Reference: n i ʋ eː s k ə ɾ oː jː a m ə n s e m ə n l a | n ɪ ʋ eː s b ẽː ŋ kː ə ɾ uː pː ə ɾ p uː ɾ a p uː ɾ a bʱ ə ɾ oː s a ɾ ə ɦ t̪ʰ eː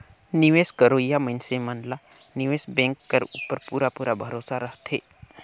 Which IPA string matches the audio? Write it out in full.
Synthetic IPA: n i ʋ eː s k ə ɾ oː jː a m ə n s e m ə n l a | n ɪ ʋ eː s b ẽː ŋ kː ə ɾ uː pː ə ɾ p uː ɾ a p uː ɾ a bʱ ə ɾ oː s a ɾ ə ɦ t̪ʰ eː

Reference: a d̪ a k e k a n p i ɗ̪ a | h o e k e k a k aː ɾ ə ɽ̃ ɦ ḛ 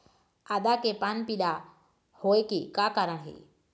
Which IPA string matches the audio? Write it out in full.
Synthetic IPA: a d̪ a k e p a n p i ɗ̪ a | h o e k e k a k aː ɾ ə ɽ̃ ɦ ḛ

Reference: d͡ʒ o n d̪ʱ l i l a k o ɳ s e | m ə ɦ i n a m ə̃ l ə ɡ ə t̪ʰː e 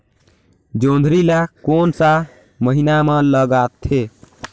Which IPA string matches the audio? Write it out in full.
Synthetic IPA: d͡ʒ o n d̪ʱ ɾ i l a k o n s a | m ə ɦ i n a m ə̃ l ə ɡ a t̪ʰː e

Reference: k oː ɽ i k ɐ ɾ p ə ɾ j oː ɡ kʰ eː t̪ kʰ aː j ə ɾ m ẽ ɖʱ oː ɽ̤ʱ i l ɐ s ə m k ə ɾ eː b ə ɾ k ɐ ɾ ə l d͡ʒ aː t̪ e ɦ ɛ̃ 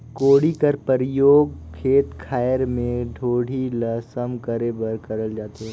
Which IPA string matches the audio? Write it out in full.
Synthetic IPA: k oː ɽ i k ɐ ɾ p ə ɾ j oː ɡ kʰ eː t̪ kʰ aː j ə ɾ m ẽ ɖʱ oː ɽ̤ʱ i l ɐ s ə m k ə ɾ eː b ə ɾ k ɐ ɾ ə l d͡ʒ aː t̪ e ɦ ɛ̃

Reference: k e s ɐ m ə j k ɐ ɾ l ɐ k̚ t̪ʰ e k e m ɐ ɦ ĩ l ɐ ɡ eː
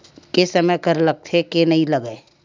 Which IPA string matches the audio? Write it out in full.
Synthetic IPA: k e s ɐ m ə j k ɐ ɾ l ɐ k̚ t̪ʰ e k e n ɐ ɦ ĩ l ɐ ɡ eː

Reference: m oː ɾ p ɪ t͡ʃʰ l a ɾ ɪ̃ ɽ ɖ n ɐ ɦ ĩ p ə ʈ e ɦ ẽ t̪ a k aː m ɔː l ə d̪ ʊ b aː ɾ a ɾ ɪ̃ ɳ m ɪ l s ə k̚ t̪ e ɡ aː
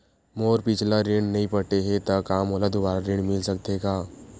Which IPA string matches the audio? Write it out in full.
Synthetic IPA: m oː ɾ p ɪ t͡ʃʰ l a ɾ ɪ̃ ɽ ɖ n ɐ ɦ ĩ p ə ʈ e ɦ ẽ t̪ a k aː m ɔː l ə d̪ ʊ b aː ɾ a ɾ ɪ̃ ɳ m ɪ l s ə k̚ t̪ e ɡ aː

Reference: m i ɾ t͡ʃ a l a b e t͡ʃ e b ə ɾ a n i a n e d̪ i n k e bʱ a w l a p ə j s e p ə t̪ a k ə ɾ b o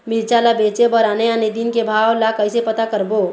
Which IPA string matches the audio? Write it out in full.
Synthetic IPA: m i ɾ t͡ʃ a l a b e t͡ʃ e b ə ɾ a n e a n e d̪ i n k e bʱ a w l a k ə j s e p ə t̪ a k ə ɾ b o

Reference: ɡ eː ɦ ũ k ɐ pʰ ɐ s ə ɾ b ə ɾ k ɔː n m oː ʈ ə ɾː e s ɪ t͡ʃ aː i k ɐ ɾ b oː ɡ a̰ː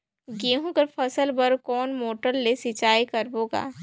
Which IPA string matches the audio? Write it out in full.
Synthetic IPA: ɡ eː ɦ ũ k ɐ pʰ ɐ s ə l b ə ɾ k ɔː n m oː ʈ ə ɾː e s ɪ t͡ʃ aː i k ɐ ɾ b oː ɡ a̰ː

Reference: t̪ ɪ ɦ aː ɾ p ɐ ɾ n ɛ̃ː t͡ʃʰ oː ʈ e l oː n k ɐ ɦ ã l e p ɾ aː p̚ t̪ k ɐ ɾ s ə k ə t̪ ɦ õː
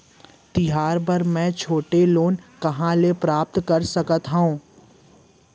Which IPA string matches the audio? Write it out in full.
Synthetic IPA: t̪ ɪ ɦ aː ɾ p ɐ ɾ m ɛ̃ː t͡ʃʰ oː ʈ e l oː n k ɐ ɦ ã l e p ɾ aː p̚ t̪ k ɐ ɾ s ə k ə t̪ ɦ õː

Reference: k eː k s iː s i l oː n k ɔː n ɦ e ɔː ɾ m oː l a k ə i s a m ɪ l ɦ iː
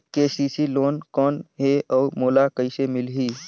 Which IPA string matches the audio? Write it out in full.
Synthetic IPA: k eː s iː s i l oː n k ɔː n ɦ e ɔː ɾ m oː l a k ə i s e m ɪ l ɦ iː

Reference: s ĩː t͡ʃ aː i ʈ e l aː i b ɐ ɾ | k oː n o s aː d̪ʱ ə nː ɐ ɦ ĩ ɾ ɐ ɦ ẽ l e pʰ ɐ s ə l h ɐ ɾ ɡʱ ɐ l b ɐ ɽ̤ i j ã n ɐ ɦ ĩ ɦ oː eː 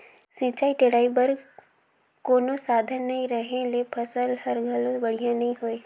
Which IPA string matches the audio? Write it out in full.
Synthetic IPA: s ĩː t͡ʃ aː i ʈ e ɽ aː i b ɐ ɾ | k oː n o s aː d̪ʱ ə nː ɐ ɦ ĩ ɾ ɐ ɦ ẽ l e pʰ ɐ s ə l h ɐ ɾ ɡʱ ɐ l b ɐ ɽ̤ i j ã n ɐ ɦ ĩ ɦ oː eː

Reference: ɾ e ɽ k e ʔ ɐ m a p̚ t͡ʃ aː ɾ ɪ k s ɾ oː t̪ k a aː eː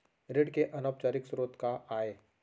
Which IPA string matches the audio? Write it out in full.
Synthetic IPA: ɾ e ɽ k e ʔ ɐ n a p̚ t͡ʃ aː ɾ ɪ k s ɾ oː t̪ k a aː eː

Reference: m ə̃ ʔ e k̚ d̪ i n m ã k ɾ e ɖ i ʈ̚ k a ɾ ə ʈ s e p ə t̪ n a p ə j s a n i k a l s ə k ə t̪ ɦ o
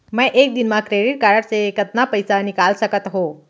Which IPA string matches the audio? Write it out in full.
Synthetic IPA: m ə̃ ʔ e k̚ d̪ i n m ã k ɾ e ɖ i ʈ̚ k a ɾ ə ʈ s e k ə t̪ n a p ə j s a n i k a l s ə k ə t̪ ɦ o

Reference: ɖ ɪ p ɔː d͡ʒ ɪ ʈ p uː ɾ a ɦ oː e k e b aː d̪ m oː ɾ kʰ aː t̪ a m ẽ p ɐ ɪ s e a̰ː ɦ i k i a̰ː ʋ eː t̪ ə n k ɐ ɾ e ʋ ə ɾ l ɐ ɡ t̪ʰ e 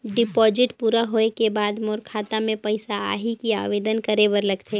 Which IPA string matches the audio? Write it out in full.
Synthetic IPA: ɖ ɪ p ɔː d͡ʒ ɪ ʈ p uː ɾ a ɦ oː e k e b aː d̪ m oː ɾ kʰ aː t̪ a m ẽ p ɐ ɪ s a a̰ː ɦ i k i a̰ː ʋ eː d̪ ə n k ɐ ɾ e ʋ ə ɾ l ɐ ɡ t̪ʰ e

